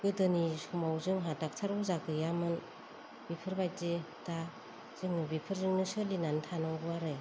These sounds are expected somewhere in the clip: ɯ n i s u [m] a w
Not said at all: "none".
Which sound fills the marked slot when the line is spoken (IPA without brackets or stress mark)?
m